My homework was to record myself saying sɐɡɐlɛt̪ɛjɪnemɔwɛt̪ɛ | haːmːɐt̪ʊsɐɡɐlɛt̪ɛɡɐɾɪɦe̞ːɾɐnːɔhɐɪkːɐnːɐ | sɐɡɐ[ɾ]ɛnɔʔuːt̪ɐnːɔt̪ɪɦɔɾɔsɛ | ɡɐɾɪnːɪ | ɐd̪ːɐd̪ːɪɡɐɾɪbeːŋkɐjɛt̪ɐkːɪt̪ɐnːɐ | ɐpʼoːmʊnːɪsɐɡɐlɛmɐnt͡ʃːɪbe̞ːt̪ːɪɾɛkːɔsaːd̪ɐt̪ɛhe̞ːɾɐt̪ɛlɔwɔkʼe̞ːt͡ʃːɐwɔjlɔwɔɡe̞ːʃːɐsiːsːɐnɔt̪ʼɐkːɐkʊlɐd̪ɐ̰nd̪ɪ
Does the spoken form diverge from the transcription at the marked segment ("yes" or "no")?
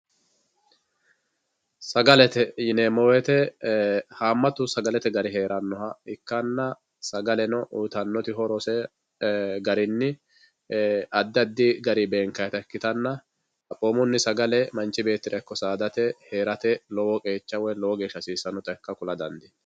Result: yes